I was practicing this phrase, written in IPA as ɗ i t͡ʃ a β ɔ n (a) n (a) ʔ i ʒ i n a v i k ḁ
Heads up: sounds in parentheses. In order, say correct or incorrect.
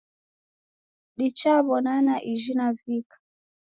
correct, correct

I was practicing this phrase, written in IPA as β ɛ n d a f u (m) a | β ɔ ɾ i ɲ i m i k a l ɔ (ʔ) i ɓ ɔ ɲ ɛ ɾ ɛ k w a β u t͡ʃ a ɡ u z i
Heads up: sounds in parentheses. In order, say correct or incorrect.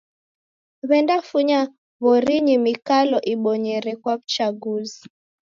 incorrect, correct

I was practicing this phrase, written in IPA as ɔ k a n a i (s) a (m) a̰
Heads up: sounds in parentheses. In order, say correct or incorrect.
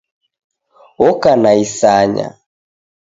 correct, incorrect

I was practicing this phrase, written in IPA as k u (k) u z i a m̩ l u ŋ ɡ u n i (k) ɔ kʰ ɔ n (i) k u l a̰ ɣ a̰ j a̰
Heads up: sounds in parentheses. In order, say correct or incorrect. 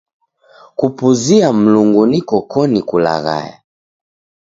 incorrect, correct, correct

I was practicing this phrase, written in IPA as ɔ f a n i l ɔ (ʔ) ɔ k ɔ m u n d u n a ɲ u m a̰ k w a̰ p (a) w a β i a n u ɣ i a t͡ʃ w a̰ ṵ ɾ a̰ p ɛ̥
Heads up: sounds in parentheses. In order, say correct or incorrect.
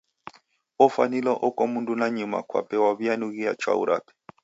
correct, incorrect

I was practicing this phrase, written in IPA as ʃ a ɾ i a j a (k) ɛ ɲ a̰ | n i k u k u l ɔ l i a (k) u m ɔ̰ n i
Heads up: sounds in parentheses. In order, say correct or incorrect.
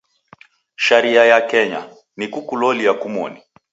correct, correct

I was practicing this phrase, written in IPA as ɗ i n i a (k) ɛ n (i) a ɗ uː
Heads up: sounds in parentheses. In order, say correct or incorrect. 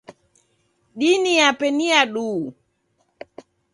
incorrect, correct

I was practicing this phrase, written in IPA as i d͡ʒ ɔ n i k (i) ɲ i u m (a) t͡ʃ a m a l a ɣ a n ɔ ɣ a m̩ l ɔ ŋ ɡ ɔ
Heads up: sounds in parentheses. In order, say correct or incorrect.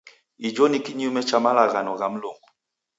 correct, incorrect

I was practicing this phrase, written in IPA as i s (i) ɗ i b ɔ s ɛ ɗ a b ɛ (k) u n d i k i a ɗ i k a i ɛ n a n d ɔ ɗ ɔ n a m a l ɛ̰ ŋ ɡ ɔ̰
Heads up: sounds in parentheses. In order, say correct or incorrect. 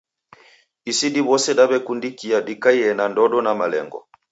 correct, correct

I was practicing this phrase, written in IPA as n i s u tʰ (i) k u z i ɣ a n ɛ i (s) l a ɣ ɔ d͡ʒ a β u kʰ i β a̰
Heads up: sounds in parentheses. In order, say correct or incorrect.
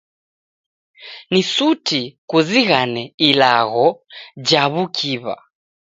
correct, incorrect

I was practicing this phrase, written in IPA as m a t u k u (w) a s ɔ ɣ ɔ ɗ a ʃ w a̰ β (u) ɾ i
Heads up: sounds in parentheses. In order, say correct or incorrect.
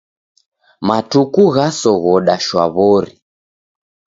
incorrect, incorrect

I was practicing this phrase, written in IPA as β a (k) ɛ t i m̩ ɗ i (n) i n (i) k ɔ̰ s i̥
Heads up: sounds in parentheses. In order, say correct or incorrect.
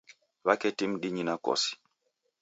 correct, incorrect, incorrect

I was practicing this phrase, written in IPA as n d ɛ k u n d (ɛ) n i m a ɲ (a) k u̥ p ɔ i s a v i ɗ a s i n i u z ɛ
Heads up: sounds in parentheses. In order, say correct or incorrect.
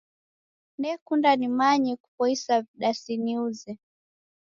incorrect, incorrect

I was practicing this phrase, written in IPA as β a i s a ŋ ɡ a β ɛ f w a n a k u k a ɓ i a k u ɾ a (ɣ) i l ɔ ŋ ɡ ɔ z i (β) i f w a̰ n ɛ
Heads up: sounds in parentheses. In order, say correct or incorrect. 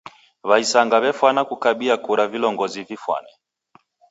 incorrect, incorrect

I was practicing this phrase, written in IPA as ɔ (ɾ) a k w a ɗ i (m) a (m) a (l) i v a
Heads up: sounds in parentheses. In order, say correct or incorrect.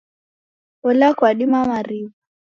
incorrect, correct, correct, incorrect

